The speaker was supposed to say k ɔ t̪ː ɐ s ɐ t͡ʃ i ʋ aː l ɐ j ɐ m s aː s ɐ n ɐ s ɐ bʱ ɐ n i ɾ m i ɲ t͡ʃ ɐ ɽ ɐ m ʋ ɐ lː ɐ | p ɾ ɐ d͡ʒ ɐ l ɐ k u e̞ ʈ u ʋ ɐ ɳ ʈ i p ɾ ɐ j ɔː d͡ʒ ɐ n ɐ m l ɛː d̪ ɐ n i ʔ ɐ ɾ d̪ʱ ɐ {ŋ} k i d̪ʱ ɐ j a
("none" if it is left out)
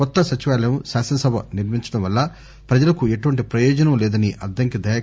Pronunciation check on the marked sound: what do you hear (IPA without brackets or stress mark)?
ŋ